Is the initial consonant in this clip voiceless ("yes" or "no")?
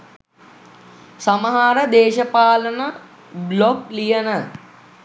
yes